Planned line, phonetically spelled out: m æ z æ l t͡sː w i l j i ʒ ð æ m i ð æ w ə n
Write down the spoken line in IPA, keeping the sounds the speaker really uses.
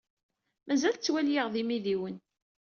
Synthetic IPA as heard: m æ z æ l t͡sː w æ l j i ʁ ð i m i ð i w ə n